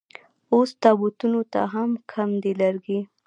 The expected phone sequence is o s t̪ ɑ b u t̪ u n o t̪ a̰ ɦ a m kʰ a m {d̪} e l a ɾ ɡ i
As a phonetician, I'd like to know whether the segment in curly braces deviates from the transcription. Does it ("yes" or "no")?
no